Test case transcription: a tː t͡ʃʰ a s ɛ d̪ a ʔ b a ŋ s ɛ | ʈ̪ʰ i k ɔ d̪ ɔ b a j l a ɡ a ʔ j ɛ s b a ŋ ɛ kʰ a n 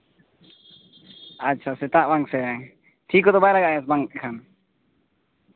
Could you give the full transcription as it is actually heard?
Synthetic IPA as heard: a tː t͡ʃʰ a s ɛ t̪ a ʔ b a ŋ s ɛ | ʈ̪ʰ i k ɔ d̪ ɔ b a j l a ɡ a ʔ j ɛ s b a ŋ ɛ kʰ a n